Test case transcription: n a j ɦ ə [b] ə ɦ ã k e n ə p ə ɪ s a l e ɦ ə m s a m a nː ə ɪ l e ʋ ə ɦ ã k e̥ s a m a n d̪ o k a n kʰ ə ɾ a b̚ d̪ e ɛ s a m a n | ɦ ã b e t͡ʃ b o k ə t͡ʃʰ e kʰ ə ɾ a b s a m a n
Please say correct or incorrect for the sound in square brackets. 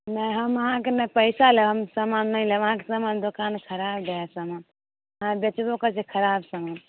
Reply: incorrect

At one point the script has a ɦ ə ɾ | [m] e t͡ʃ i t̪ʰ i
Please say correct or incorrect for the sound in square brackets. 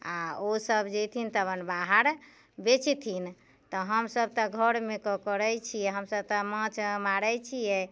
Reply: incorrect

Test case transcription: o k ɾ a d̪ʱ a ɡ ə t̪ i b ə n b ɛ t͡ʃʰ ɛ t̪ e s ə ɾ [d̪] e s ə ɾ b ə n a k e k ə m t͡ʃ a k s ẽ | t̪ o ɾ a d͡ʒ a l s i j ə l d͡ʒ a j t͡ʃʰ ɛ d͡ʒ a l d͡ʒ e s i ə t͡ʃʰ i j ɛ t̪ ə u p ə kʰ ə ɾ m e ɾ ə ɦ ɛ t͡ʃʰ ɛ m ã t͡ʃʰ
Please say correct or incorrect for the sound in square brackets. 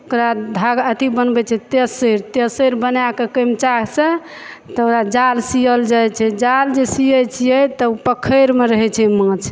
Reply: incorrect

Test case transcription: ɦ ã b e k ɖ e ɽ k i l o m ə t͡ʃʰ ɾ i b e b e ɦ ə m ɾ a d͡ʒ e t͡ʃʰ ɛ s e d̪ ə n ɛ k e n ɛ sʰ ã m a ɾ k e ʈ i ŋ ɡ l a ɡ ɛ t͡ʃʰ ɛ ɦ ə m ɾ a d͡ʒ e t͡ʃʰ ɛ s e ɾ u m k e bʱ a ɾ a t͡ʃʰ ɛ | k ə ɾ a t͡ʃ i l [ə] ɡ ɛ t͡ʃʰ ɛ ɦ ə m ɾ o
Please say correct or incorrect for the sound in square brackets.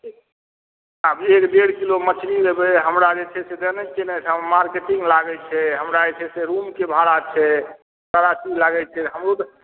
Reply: incorrect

